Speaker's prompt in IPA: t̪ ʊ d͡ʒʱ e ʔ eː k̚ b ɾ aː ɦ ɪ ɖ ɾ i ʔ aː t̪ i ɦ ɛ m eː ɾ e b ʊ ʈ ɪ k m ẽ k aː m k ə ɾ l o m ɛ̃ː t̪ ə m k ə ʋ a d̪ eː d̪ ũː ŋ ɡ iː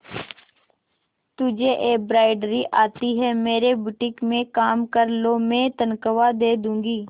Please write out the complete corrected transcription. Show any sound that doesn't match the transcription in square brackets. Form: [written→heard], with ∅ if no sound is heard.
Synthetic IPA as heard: t̪ ʊ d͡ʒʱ e ʔ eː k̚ b ɾ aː [ɦ→∅] ɪ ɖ ɾ i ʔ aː t̪ i ɦ ɛ m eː ɾ e b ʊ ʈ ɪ k m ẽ k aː m k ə ɾ l o m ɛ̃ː t̪ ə [m→n] k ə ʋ a d̪ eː d̪ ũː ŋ ɡ iː